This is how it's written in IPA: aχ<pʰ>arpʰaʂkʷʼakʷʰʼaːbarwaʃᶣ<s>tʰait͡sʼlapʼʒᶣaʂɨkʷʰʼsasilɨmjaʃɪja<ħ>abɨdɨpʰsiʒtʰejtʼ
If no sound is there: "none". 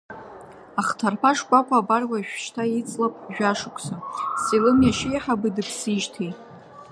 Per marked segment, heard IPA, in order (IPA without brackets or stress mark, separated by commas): tʰ, ʃ, ħ